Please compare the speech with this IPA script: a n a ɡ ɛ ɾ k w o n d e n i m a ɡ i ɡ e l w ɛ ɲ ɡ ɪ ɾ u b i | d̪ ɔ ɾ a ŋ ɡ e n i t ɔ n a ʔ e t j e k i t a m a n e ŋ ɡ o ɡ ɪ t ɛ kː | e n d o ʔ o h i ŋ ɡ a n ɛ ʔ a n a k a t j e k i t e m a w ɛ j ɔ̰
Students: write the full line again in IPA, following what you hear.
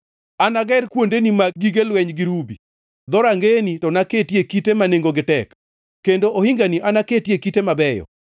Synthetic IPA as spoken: a n a ɡ ɛ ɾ k w o n d e n i m a ɡ i ɡ e l w ɛ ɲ ɡ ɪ ɾ u b i | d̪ ɔ ɾ a ŋ ɡ e n i t ɔ n a k e t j e k i t e m a n e ŋ ɡ o ɡ ɪ t ɛ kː | e n d o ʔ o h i ŋ ɡ a n i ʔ a n a k e t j e k i t e m a b ɛ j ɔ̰